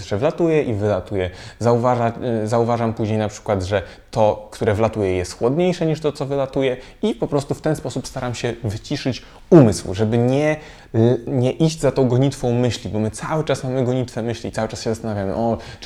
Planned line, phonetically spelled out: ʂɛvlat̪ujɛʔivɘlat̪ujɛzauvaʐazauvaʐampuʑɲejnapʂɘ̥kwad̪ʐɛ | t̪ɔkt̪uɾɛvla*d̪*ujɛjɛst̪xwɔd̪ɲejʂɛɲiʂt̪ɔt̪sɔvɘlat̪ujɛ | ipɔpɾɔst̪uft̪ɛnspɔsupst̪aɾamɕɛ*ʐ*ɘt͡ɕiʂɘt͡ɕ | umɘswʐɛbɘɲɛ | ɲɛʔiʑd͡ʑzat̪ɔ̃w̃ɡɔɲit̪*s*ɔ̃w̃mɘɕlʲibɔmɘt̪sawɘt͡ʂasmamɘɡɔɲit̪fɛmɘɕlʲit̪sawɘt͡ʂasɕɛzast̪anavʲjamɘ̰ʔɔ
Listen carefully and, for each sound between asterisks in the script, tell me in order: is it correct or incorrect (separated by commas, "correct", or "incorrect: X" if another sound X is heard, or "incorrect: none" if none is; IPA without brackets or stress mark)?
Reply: incorrect: t̪, incorrect: v, incorrect: f